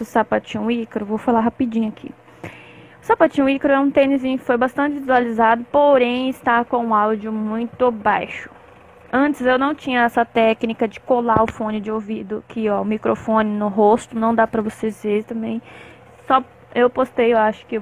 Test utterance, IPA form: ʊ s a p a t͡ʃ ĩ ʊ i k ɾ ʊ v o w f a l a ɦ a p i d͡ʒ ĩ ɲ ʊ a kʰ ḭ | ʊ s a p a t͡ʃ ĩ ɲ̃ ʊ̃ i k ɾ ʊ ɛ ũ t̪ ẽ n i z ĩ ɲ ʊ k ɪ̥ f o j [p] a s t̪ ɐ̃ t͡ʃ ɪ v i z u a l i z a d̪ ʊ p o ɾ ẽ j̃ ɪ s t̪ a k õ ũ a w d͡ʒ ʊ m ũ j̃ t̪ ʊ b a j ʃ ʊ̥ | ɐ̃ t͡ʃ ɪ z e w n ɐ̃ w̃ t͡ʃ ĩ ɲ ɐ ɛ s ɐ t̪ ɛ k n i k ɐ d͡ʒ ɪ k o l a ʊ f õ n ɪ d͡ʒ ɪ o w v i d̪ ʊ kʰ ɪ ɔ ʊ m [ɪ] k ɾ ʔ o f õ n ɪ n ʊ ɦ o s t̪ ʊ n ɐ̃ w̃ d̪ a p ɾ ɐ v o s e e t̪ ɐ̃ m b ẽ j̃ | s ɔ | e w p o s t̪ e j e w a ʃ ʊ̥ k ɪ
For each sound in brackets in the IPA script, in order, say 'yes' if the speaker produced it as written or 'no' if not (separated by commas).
no, no